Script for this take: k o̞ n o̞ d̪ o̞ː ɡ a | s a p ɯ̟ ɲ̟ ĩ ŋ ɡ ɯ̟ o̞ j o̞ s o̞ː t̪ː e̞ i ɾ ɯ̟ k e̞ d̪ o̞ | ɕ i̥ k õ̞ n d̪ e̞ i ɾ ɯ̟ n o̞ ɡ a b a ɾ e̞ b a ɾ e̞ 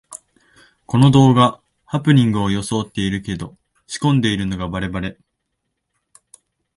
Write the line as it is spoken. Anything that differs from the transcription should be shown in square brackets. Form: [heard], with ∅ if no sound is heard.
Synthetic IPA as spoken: k o̞ n o̞ d̪ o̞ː ɡ a | [h] a p ɯ̟ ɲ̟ ĩ ŋ ɡ ɯ̟ o̞ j o̞ s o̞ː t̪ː e̞ i ɾ ɯ̟ k e̞ d̪ o̞ | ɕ i̥ k õ̞ n d̪ e̞ i ɾ ɯ̟ n o̞ ɡ a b a ɾ e̞ b a ɾ e̞